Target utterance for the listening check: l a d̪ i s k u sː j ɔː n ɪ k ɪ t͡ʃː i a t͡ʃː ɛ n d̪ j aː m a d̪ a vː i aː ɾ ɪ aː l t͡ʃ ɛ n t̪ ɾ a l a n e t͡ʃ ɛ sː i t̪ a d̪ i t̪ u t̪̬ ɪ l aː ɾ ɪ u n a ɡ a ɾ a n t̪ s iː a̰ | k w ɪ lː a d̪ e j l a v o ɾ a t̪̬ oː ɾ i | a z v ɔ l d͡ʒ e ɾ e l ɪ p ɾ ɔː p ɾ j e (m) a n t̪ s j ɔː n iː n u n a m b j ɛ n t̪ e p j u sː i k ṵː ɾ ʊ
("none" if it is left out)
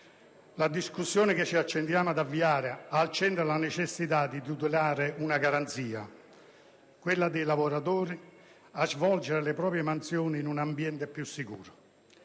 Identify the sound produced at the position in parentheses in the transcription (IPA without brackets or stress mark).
m